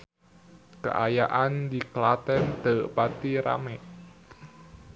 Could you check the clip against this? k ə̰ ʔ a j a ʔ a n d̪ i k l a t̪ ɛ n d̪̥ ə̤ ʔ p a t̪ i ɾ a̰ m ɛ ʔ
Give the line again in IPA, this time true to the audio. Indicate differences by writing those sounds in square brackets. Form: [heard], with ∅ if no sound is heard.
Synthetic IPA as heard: k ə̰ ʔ a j a ʔ a n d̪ i k l a t̪ ɛ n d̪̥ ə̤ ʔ p a t̪ i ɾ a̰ m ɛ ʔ